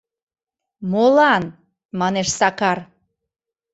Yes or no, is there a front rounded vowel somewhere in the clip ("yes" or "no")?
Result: no